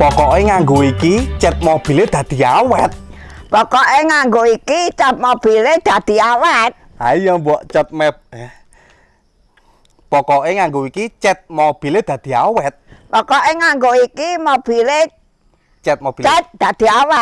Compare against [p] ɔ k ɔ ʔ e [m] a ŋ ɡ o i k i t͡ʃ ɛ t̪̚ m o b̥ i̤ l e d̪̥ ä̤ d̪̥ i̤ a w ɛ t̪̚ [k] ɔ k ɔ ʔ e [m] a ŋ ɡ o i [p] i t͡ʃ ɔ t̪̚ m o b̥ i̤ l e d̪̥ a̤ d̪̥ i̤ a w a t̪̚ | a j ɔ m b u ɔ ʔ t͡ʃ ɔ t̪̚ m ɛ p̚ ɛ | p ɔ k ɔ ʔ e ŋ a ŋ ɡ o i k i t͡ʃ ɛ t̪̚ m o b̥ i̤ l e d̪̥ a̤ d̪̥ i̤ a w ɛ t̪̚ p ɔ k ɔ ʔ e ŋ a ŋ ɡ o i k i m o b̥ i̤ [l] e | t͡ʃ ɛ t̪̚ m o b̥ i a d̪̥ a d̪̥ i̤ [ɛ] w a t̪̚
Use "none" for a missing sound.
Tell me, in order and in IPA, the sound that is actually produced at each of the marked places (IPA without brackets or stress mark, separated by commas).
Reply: p, ŋ, p, ŋ, k, l, a